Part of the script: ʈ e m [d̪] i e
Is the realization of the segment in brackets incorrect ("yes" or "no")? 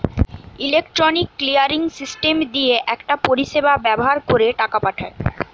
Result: no